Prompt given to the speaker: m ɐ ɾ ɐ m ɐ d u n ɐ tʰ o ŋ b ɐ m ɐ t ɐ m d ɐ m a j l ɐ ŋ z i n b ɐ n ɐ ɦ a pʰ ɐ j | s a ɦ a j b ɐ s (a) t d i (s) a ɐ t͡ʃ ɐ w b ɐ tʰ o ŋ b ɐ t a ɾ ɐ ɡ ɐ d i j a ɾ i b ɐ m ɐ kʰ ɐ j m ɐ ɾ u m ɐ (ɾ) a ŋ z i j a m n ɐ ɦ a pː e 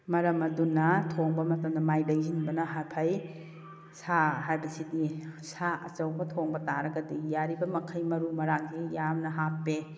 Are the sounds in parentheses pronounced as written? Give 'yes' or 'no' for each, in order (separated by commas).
no, yes, yes